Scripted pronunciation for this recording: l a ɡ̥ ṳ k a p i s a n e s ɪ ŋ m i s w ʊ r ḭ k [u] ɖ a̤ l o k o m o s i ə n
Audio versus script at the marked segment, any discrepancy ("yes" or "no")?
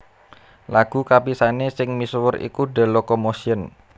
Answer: no